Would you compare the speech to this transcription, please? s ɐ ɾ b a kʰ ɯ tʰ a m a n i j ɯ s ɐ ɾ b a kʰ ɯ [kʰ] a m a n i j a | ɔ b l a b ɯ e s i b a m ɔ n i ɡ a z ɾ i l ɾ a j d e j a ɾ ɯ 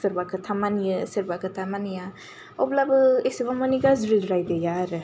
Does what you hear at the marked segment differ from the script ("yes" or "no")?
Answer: yes